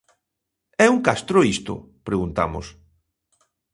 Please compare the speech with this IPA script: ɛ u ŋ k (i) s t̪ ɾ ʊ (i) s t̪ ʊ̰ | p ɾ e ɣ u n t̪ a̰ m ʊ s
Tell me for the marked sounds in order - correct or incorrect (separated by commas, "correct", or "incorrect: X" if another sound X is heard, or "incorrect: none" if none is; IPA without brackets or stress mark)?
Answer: incorrect: a, correct